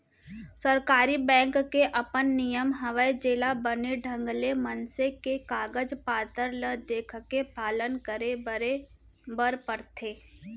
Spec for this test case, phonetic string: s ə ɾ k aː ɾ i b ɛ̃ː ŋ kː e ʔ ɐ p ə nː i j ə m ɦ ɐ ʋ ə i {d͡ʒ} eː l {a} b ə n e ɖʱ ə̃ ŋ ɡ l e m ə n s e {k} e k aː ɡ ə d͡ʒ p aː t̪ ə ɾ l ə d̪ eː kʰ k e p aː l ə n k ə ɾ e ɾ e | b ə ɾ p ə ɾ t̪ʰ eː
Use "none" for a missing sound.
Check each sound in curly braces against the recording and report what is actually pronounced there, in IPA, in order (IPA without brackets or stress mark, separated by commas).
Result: d͡ʒ, a, k